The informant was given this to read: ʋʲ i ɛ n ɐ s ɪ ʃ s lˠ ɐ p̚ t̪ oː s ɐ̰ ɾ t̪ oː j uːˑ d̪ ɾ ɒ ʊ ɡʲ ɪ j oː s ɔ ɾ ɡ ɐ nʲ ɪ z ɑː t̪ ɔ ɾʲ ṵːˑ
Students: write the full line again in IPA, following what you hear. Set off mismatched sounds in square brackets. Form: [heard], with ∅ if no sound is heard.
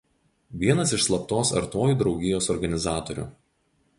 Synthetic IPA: ʋʲ i ɛ n ɐ s ɪ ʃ s lˠ ɐ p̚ t̪ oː s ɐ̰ ɾ t̪ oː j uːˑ d̪ ɾ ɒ ʊ ɡʲ ɪ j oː s ɔ ɾ ɡ ɐ nʲ ɪ z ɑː t̪ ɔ ɾʲ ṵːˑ